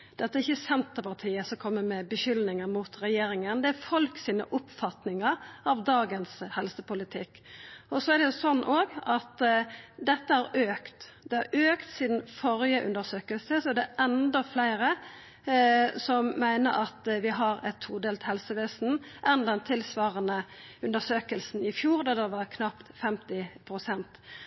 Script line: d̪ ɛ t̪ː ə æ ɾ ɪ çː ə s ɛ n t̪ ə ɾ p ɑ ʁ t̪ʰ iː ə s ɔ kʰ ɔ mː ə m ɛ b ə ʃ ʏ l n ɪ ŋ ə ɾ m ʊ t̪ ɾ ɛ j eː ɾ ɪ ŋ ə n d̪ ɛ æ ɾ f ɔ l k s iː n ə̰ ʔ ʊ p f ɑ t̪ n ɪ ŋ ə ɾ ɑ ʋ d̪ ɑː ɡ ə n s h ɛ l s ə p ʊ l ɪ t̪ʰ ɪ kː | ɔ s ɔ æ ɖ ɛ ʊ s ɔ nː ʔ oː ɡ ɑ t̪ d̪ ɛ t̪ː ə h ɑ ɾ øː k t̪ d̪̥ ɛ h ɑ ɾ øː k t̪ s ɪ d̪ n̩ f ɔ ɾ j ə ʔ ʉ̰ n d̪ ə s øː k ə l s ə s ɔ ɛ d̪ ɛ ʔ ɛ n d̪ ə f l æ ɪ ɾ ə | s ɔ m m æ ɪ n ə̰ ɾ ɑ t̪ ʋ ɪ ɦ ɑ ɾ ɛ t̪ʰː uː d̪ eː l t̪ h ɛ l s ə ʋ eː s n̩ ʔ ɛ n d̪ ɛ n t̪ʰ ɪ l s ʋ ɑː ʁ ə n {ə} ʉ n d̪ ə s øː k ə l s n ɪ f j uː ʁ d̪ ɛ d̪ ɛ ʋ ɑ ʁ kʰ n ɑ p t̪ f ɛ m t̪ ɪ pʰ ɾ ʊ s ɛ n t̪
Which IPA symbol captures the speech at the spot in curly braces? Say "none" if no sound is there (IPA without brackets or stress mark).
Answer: ə